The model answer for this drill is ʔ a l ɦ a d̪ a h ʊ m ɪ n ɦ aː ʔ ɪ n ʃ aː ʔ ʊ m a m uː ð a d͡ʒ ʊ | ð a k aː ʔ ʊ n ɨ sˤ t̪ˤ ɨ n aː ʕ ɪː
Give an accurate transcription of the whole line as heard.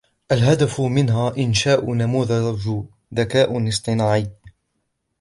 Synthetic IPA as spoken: ʔ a l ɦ a d̪ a f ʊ m ɪ n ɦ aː ʔ ɪ n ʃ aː ʔ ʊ n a m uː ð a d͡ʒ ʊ | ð a k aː ʔ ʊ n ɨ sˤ t̪ˤ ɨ n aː ʕ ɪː